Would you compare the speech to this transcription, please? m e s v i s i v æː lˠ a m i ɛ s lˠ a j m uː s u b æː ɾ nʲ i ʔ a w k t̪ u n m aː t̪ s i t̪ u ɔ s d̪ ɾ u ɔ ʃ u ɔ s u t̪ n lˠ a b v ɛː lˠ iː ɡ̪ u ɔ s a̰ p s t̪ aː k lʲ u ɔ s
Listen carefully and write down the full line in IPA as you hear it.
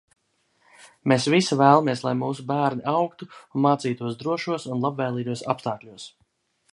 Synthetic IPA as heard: m e s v i s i v æː lˠ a m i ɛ s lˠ a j m uː s u b æː ɾ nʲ i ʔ a w k t̪ u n m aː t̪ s iː t̪ u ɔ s d̪ ɾ u ɔ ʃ u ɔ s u n lˠ a b v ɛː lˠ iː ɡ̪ u ɔ s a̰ p s t̪ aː k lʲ u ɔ s

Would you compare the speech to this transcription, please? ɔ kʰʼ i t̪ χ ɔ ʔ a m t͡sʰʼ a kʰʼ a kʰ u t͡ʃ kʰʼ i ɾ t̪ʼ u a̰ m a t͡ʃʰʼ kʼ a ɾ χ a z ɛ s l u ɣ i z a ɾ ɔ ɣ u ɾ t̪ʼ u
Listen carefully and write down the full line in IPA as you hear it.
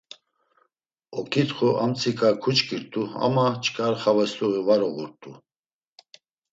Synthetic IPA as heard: ɔ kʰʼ i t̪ χ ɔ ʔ a m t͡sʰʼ i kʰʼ a kʰ u t͡ʃ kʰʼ i ɾ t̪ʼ u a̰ m a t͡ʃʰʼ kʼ a ɾ χ a v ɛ s l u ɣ i v a ɾ ɔ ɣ u ɾ t̪ʼ u

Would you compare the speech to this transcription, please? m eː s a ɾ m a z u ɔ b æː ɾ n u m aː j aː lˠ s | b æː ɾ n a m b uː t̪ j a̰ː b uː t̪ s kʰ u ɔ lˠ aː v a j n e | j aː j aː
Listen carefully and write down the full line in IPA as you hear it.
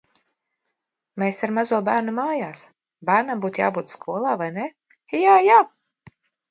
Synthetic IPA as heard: m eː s a ɾ m a z u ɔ b æː ɾ n u m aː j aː s | b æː ɾ n a m b uː t̪ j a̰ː b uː t̪ s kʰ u ɔ lˠ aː v a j n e | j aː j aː

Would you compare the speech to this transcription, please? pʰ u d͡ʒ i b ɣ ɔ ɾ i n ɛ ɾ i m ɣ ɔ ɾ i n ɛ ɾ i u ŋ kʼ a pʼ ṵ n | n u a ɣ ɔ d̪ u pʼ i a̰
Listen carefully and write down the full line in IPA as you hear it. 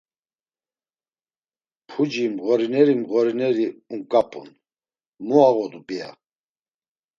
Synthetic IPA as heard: pʰ u d͡ʒ i m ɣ ɔ ɾ i n ɛ ɾ i m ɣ ɔ ɾ i n ɛ ɾ i u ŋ kʼ a pʼ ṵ n | m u a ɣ ɔ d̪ u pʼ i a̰

